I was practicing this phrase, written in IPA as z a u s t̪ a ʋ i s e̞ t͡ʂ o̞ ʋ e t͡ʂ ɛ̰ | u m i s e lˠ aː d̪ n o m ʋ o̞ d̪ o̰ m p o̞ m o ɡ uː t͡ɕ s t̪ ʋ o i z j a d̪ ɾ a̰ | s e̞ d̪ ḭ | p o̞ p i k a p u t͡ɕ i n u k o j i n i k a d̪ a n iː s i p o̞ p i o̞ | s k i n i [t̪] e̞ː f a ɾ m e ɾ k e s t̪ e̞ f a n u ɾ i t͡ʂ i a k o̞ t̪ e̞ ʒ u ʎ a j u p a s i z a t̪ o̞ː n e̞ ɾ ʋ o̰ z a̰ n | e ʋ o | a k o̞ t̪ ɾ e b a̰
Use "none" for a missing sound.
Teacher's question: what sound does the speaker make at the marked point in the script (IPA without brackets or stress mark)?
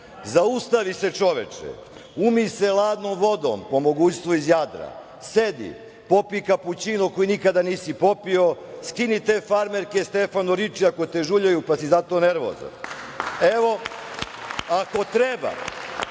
t̪